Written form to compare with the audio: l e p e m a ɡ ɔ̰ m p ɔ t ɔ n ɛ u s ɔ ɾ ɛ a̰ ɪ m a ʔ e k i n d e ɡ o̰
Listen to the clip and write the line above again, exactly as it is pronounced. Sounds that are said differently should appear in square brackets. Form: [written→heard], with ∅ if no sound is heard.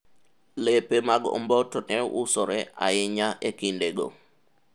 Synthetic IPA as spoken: l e p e m a ɡ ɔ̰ m [p→b] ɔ t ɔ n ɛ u s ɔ ɾ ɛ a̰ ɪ [m→ɲ] a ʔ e k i n d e ɡ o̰